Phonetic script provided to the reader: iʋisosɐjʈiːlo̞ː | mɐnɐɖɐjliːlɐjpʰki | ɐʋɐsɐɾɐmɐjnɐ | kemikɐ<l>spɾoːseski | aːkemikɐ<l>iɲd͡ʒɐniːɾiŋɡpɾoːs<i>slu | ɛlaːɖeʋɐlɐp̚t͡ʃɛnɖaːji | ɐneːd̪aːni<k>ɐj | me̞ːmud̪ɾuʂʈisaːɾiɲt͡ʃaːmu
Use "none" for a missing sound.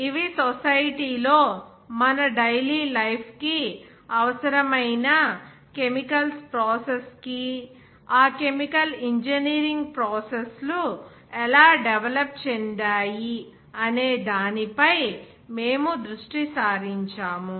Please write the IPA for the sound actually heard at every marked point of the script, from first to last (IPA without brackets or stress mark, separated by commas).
l, l, e, p